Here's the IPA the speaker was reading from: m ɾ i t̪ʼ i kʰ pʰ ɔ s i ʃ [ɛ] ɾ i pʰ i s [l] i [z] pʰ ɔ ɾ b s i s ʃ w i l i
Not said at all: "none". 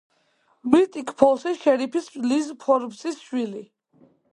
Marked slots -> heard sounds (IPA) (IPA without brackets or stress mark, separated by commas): ɛ, l, z